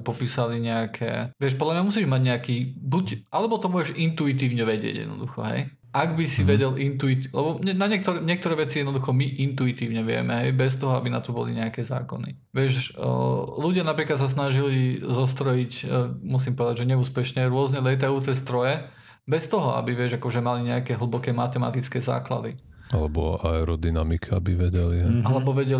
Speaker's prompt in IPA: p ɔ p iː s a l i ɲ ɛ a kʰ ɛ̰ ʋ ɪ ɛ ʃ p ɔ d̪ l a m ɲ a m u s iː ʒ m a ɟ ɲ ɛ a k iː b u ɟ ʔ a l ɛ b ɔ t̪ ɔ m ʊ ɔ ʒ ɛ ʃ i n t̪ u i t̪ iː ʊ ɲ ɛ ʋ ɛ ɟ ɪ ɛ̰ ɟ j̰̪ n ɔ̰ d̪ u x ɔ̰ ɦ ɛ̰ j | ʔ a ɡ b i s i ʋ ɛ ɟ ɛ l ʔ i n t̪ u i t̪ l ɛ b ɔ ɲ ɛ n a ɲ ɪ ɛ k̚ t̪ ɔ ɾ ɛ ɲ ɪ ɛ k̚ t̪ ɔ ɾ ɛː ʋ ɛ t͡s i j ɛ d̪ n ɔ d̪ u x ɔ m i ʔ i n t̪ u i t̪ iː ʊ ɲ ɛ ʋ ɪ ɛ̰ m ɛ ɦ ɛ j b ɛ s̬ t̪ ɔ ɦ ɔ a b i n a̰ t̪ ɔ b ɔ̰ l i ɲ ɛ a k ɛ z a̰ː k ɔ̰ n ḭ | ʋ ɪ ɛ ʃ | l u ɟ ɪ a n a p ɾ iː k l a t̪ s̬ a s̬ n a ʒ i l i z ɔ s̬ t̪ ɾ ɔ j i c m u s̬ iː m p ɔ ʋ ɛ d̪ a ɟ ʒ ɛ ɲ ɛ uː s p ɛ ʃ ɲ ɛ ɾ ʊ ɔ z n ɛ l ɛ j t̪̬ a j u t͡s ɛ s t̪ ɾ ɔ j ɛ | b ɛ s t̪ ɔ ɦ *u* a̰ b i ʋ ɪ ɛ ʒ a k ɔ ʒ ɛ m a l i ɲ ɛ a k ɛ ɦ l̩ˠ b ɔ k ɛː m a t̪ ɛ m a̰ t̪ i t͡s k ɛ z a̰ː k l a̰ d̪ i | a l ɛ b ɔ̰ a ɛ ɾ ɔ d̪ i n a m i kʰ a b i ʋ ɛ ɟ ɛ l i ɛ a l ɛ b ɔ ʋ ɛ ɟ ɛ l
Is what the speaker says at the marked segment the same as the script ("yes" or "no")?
no